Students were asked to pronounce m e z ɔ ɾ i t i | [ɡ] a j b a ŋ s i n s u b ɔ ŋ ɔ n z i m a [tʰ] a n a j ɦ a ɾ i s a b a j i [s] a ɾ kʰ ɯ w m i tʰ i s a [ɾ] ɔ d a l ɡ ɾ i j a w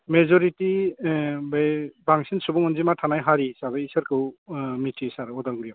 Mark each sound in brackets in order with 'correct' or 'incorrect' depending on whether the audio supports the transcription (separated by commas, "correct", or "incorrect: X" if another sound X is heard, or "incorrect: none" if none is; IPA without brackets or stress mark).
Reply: incorrect: b, correct, correct, correct